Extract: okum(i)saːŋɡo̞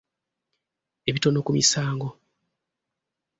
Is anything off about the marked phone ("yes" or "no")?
no